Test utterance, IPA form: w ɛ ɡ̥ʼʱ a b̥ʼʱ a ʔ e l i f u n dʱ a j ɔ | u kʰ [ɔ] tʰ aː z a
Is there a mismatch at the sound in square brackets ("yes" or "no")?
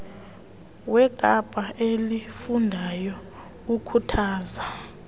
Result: yes